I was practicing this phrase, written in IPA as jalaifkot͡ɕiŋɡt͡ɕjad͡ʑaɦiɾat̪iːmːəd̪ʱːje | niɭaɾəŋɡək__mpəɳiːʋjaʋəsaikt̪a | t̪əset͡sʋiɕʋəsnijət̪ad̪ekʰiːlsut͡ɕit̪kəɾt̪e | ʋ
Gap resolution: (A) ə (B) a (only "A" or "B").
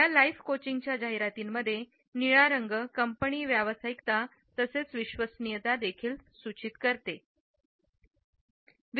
A